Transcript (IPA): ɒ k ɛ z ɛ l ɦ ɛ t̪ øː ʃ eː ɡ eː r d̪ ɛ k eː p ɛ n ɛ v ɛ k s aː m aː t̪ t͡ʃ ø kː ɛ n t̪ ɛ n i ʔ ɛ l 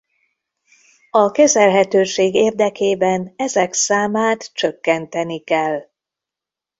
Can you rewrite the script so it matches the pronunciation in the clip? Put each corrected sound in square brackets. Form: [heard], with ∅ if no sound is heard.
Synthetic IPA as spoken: ɒ k ɛ z ɛ l ɦ ɛ t̪ øː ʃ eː ɡ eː r d̪ ɛ k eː [b] ɛ n ɛ [z] ɛ k s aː m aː t̪ t͡ʃ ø kː ɛ n t̪ ɛ n i [k] ɛ l